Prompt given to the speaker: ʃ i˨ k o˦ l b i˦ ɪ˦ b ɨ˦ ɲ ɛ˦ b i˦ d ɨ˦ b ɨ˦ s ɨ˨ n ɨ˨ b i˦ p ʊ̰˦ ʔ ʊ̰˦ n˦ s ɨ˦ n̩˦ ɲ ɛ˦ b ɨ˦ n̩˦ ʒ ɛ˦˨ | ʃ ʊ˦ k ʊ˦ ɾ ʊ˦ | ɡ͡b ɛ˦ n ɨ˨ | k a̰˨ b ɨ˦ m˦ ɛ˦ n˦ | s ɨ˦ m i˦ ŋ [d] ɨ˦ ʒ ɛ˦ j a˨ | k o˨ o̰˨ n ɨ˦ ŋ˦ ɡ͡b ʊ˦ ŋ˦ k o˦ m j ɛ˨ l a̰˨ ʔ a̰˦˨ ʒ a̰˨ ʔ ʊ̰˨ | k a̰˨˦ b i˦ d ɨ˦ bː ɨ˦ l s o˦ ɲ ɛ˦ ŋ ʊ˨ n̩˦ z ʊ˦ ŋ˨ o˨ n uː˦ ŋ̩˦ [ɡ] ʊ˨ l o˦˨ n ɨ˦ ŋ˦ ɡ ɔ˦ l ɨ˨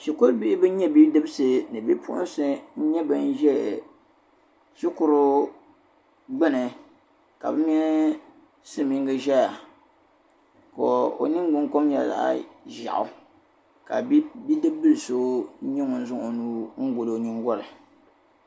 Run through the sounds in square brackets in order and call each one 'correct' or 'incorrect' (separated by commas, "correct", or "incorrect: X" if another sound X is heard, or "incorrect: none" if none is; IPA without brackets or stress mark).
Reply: incorrect: ɡ, correct